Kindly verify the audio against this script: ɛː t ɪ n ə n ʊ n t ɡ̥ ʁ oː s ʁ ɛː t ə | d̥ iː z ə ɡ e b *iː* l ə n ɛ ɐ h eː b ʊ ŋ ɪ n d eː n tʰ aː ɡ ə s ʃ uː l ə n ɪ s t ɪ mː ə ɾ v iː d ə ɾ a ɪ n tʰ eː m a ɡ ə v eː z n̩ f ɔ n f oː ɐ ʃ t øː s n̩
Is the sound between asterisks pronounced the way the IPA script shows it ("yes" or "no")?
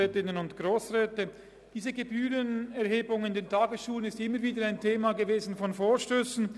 no